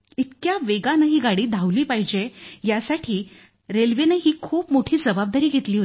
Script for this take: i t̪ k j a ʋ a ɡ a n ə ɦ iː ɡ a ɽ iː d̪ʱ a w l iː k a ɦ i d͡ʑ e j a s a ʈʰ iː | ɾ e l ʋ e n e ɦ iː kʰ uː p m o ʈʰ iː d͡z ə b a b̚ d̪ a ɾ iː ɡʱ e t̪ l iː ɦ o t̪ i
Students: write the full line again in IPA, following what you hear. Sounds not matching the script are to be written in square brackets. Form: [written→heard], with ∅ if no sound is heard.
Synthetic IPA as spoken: i t̪ k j a ʋ [a→e] ɡ a n ə ɦ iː ɡ a ɽ iː d̪ʱ a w l iː [k→p] a ɦ i d͡ʑ e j a s a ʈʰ iː | ɾ e l ʋ e n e ɦ iː kʰ uː p m o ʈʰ iː d͡z ə b a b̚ d̪ a ɾ iː ɡʱ e t̪ l iː ɦ o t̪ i

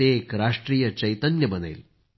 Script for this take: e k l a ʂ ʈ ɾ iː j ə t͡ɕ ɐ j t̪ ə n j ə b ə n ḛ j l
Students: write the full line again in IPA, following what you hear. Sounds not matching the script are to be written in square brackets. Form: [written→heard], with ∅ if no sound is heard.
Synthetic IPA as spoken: e k [l→ɾ] a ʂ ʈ ɾ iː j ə t͡ɕ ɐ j t̪ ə n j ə b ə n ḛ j l

